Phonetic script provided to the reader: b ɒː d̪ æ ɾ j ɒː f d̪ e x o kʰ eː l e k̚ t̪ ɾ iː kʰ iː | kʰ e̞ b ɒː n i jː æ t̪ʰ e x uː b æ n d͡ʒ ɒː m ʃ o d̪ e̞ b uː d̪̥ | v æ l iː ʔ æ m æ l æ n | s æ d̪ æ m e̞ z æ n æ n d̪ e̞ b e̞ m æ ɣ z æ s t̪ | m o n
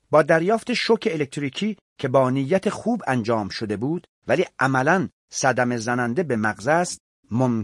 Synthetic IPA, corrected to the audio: b ɒː d̪ æ ɾ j ɒː f t̪ e ʃ o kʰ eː l e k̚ t̪ ɾ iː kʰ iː | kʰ e̞ b ɒː n i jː æ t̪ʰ e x uː b æ n d͡ʒ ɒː m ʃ o d̪ e̞ b uː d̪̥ | v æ l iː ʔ æ m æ l æ n | s æ d̪ æ m e̞ z æ n æ n d̪ e̞ b e̞ m æ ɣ z æ s t̪ | m o m